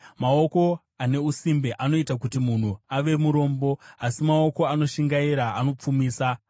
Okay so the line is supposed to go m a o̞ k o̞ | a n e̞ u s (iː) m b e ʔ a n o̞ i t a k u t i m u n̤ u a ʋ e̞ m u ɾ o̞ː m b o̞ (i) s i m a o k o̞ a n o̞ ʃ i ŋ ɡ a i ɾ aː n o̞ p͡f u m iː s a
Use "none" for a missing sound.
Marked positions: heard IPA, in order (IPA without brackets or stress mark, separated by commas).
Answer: i, a